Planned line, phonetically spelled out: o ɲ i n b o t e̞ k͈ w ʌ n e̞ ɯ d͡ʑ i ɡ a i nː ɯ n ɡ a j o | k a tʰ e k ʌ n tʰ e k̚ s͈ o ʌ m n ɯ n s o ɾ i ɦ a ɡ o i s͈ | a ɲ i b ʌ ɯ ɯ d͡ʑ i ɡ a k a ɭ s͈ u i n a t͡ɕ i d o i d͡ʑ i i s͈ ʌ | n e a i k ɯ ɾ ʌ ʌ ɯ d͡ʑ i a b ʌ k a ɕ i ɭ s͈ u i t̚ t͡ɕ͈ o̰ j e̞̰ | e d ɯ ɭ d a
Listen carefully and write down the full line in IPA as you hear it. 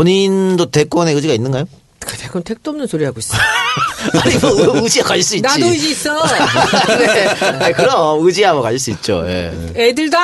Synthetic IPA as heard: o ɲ i n d o t e̞ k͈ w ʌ n e̞ ɯ d͡ʑ i ɡ a i nː ɯ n ɡ a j o | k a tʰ e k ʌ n tʰ e k̚ t͈ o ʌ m n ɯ n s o ɾ i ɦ a ɡ o i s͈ | a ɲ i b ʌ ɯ ɯ d͡ʑ i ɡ a k a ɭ s͈ u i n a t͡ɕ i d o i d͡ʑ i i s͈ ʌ | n e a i k ɯ ɾ ʌ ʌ ɯ d͡ʑ i a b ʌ k a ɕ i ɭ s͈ u i t̚ t͡ɕ͈ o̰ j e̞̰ | e d ɯ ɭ d a